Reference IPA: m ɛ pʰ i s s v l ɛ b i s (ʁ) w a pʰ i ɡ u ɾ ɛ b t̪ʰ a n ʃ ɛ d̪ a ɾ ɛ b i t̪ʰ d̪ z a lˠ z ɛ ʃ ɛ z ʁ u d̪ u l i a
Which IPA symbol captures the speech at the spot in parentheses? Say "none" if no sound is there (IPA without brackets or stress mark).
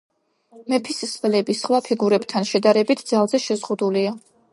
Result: χ